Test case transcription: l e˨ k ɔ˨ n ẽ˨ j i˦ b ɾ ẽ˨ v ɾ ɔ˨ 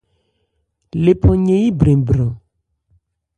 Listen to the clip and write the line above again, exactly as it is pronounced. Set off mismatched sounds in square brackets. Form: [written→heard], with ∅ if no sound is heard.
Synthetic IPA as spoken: l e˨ [k→p] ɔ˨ [n→ɲ] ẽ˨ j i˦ b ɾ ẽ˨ [v→b] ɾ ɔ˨